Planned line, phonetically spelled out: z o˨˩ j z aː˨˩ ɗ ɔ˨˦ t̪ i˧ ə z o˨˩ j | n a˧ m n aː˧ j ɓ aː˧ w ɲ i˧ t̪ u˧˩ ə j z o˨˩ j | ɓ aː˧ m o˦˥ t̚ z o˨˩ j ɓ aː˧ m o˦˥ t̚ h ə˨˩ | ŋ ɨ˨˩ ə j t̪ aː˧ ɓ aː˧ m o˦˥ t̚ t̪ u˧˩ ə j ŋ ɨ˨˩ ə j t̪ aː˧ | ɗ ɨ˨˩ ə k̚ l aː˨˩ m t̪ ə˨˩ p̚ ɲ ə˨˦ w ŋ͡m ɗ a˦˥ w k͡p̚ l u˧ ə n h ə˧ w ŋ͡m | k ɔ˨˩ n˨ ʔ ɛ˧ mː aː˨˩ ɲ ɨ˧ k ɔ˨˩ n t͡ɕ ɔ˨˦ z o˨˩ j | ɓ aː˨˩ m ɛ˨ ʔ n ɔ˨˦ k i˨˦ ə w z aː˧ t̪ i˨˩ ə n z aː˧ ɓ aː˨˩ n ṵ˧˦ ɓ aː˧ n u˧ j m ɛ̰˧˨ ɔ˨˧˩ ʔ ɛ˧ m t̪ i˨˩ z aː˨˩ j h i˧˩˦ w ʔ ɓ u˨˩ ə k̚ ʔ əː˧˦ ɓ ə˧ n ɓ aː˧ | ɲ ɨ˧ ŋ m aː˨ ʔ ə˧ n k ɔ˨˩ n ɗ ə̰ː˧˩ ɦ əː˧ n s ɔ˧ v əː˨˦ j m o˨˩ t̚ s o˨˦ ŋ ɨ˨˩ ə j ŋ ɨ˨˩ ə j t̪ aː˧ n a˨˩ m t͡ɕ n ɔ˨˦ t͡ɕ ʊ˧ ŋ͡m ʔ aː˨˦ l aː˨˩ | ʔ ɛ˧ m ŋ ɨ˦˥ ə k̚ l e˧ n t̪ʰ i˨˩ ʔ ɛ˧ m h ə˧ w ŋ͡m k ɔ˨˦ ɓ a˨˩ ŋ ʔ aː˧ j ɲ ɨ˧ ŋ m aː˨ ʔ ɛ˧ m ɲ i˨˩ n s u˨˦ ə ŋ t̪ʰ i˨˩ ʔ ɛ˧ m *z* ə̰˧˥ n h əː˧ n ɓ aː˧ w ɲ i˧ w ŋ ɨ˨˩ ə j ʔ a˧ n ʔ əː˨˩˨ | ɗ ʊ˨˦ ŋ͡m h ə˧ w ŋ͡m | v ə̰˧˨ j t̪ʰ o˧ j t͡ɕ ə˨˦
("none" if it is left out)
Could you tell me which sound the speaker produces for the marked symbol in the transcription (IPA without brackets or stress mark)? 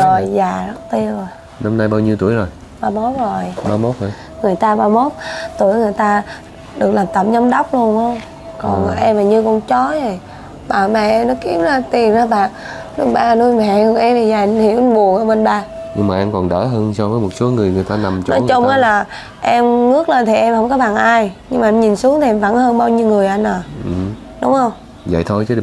v